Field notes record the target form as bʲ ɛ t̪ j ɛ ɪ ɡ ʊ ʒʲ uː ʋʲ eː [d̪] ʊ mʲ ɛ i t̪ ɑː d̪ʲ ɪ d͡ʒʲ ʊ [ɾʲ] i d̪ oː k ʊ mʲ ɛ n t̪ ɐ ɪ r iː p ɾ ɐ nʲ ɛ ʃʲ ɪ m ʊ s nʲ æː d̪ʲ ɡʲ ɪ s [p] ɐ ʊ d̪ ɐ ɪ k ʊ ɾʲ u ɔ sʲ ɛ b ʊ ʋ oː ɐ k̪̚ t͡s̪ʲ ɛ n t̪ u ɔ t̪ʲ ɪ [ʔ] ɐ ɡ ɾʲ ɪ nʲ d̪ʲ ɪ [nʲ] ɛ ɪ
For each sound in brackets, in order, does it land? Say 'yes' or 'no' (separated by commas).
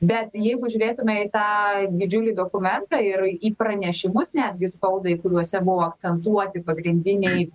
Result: no, no, yes, no, yes